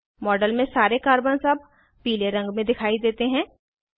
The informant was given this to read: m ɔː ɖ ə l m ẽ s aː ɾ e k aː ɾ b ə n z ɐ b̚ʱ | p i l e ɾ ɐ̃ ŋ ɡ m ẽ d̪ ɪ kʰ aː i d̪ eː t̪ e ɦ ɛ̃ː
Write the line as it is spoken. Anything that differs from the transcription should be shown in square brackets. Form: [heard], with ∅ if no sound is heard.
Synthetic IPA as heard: m ɔː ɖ ə l m ẽ s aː ɾ e k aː ɾ b ə n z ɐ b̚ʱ | p [iː] l e ɾ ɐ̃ ŋ ɡ m ẽ d̪ ɪ kʰ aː i d̪ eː t̪ e ɦ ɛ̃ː